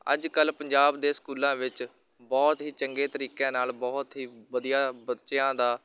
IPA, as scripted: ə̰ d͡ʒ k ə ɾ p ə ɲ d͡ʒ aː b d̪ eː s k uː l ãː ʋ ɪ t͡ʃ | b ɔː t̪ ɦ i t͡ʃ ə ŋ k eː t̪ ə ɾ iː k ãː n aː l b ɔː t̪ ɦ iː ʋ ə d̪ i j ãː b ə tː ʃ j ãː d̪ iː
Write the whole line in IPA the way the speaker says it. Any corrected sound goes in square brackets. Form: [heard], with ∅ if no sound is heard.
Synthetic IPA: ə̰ d͡ʒ k ə [l] p ə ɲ d͡ʒ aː b d̪ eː s k uː l ãː ʋ ɪ t͡ʃ | b ɔː t̪ ɦ [iː] t͡ʃ ə ŋ [ɡ] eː t̪ ə ɾ iː k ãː n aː l b ɔː t̪ ɦ iː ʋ ə d̪ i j [aː] b ə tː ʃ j ãː d̪ [aː]